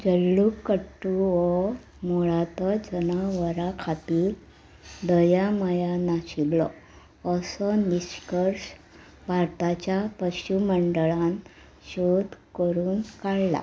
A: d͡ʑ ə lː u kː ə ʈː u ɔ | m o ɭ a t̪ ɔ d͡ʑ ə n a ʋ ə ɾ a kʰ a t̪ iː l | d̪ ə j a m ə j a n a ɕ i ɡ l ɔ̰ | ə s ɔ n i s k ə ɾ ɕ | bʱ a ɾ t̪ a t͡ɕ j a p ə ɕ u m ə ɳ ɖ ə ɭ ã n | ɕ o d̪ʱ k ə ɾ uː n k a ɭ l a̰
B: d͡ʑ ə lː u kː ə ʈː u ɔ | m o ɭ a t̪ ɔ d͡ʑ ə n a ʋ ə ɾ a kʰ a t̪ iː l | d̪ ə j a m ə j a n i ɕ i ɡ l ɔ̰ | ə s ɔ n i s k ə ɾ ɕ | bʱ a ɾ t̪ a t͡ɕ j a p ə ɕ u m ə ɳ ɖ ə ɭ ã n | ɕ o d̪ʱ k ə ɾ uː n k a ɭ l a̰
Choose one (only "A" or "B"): A